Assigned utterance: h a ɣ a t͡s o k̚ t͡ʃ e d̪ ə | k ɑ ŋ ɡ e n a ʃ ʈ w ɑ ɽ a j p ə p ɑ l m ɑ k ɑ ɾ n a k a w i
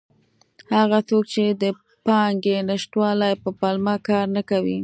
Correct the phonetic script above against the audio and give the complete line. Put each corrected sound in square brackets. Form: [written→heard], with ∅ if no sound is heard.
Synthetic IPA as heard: h a ɣ a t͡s o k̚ t͡ʃ e d̪ ə | [k→p] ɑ ŋ ɡ e n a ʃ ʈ w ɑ [ɽ→l] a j p ə p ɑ l m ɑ k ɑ ɾ n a k a w i